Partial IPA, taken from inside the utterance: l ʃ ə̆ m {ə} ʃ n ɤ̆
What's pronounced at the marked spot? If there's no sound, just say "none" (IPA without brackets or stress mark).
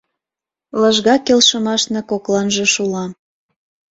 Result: ɑ